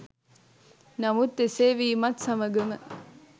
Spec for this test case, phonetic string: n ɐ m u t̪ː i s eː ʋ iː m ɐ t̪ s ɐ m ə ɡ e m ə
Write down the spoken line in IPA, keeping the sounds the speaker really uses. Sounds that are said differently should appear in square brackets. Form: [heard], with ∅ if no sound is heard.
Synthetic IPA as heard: n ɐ m u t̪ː [e] s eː ʋ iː m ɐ t̪ s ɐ m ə ɡ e m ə